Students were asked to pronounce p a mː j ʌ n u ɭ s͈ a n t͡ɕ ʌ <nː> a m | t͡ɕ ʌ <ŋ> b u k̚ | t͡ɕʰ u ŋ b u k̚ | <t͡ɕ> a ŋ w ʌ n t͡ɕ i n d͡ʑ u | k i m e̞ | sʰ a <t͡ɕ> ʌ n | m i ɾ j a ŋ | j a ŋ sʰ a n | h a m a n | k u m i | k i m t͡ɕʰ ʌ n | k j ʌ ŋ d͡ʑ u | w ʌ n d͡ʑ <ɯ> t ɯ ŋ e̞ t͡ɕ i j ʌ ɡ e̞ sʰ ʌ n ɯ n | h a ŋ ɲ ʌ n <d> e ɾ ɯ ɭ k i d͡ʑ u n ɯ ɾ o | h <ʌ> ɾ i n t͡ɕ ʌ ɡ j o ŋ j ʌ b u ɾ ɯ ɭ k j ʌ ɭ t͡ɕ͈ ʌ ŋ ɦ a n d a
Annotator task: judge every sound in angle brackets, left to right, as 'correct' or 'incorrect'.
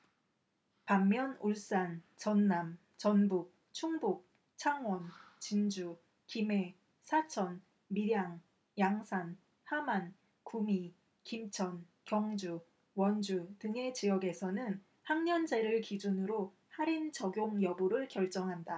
correct, incorrect: n, incorrect: t͡ɕʰ, incorrect: t͡ɕʰ, incorrect: u, incorrect: d͡ʑ, incorrect: a

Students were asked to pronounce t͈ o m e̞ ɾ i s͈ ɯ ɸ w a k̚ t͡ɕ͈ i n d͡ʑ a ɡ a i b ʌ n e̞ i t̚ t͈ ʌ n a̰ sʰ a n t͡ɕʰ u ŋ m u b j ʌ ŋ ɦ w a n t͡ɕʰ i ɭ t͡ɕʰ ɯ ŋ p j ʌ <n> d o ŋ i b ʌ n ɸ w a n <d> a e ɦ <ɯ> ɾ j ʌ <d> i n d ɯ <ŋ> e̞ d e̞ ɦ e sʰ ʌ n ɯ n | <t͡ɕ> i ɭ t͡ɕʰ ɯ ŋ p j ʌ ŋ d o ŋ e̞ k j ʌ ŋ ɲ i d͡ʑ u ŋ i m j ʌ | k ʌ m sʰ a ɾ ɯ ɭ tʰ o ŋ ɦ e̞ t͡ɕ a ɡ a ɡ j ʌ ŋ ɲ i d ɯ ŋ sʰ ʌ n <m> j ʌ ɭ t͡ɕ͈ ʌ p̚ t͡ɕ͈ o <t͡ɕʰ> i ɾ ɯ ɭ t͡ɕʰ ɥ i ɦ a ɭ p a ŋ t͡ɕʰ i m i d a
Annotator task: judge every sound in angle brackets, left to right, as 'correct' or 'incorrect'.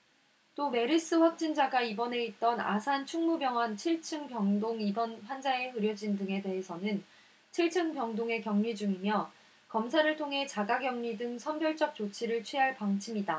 incorrect: ŋ, incorrect: d͡ʑ, correct, incorrect: d͡ʑ, correct, incorrect: t͡ɕʰ, incorrect: b, correct

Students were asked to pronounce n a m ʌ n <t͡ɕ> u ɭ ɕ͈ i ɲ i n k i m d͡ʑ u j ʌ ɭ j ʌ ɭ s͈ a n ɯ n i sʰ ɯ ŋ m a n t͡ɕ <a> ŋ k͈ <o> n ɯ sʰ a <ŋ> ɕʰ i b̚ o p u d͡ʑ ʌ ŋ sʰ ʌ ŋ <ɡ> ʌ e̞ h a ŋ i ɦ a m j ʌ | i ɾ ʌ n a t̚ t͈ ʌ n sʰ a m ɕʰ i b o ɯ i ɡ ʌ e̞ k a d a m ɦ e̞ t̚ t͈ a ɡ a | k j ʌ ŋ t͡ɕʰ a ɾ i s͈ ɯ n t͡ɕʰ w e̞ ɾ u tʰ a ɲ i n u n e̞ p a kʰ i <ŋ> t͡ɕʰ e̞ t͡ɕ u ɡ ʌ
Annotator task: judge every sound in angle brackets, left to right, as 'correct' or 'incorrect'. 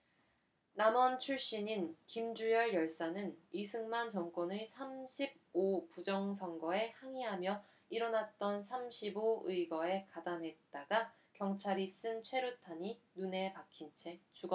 incorrect: t͡ɕʰ, incorrect: ʌ, correct, incorrect: m, correct, incorrect: n

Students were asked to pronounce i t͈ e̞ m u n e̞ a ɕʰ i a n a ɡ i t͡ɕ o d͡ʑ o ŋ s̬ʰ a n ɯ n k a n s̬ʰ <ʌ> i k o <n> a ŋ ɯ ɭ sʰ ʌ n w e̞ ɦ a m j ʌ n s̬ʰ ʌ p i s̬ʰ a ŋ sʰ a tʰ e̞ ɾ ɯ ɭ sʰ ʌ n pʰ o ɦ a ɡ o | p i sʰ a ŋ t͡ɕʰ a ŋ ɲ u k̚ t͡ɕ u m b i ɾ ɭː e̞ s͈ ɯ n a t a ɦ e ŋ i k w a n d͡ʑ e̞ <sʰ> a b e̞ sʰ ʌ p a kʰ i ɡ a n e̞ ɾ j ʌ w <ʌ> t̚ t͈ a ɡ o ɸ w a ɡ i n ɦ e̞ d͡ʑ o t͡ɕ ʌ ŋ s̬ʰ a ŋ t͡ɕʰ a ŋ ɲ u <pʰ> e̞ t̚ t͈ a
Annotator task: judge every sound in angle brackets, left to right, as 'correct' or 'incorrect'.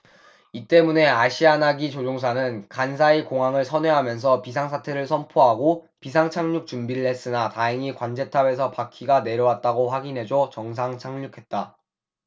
incorrect: a, incorrect: ŋ, incorrect: tʰ, incorrect: a, incorrect: kʰ

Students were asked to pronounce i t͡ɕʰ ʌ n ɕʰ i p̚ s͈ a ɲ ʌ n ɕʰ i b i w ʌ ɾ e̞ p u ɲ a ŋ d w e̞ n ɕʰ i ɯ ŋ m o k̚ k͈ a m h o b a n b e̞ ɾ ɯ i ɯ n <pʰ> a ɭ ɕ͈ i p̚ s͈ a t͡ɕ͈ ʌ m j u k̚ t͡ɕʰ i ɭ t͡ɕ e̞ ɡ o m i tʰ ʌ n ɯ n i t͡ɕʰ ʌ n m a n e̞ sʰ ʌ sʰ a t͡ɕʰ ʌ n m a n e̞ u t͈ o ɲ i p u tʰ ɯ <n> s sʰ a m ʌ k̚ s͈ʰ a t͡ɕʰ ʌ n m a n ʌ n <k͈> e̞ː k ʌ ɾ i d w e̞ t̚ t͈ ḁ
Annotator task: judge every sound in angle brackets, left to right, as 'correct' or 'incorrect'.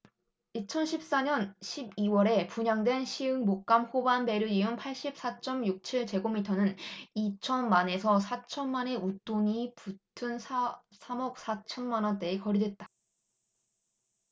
correct, correct, incorrect: t͈

